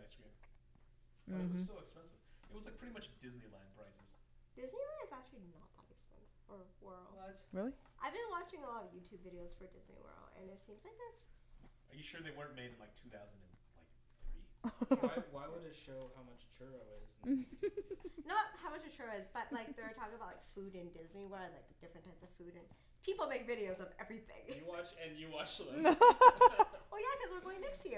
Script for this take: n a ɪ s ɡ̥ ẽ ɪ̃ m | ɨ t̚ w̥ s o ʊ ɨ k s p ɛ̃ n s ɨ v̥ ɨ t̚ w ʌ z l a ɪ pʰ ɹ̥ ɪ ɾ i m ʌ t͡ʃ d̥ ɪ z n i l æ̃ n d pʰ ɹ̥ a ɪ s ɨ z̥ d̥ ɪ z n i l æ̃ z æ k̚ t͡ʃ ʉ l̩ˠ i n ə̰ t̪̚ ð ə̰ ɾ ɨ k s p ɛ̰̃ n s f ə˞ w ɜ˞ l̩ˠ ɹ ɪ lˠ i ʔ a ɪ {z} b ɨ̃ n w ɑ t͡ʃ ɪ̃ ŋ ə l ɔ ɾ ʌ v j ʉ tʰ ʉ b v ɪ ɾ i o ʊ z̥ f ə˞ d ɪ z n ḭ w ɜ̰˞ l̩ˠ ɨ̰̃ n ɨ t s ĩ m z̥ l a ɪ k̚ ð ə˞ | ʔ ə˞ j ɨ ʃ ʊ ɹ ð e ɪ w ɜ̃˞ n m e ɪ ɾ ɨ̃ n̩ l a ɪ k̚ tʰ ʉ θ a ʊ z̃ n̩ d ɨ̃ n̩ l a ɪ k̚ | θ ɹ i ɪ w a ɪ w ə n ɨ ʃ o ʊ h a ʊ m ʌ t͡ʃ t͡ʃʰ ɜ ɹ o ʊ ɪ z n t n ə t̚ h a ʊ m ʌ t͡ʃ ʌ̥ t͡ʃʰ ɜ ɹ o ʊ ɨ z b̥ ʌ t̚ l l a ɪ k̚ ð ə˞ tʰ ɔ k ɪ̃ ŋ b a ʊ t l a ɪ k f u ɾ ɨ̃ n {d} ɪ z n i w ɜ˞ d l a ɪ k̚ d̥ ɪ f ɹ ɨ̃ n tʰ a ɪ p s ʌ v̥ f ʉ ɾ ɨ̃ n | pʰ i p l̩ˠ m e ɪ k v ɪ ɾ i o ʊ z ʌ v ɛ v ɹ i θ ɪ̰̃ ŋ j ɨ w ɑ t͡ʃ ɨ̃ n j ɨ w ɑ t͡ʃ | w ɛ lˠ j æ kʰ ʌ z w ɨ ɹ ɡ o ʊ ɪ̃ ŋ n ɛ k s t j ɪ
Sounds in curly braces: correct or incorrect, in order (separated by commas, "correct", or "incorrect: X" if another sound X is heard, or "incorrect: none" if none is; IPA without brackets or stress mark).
incorrect: v, correct